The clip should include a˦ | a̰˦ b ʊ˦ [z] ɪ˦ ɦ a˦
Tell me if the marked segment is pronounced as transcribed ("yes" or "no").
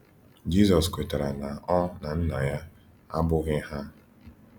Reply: no